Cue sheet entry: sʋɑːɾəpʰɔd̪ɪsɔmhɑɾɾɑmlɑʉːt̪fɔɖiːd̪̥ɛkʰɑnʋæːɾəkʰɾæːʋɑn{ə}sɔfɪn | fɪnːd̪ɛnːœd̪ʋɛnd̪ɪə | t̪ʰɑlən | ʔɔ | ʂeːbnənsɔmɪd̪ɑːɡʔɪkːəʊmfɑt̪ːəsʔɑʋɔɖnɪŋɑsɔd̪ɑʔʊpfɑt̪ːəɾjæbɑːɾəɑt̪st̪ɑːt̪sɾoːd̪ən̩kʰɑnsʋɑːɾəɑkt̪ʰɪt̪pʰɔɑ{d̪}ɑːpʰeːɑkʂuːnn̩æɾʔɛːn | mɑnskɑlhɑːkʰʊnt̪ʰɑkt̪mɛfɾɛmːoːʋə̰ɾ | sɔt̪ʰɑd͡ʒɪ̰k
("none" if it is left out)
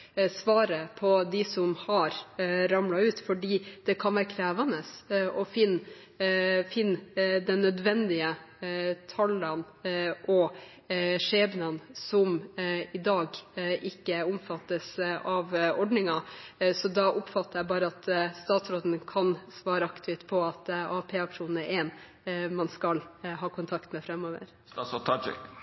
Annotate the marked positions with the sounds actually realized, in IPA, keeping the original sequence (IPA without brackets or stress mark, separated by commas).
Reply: ə, t̪